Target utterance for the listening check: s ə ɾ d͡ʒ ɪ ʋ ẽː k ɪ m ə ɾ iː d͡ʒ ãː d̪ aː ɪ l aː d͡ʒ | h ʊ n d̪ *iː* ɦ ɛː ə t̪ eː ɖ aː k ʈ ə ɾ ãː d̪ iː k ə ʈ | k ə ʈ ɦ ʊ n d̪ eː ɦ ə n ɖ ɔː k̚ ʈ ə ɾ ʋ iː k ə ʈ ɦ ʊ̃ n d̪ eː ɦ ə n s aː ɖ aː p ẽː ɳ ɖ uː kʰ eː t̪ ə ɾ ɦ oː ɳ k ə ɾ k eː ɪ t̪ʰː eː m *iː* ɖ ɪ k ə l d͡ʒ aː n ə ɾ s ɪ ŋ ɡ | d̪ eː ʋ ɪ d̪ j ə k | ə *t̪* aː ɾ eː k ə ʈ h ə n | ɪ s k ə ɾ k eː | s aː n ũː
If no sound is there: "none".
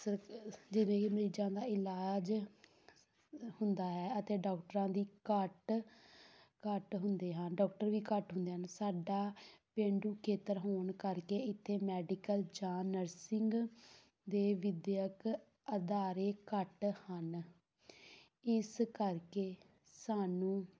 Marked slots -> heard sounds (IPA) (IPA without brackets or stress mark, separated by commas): aː, ɛː, d̪